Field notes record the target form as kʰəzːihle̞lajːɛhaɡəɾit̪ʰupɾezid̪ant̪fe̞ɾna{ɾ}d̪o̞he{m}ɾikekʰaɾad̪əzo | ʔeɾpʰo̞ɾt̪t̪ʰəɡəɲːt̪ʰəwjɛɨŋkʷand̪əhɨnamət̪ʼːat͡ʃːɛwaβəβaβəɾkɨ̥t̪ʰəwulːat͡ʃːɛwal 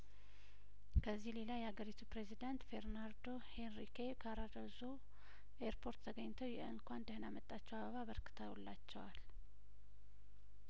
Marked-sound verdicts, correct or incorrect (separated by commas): correct, incorrect